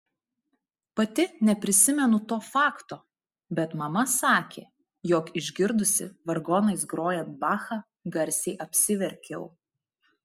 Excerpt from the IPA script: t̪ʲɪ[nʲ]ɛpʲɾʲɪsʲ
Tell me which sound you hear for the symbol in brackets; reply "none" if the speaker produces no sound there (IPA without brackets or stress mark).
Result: nʲ